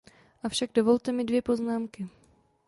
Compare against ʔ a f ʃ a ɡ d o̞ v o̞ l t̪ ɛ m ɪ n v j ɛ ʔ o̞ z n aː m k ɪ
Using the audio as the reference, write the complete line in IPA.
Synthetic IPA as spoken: ʔ a f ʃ a ɡ d o̞ v o̞ l t̪ ɛ m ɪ d v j ɛ p o̞ z n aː m k ɪ